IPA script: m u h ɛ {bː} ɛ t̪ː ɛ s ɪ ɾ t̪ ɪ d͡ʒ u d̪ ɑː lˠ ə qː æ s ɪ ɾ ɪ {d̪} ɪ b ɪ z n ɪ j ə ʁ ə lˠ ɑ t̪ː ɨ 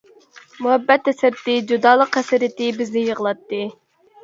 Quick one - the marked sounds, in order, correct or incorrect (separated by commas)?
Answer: correct, incorrect